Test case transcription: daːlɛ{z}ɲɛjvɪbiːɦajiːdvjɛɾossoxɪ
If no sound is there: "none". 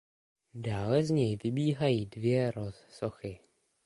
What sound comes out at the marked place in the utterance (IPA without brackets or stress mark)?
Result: z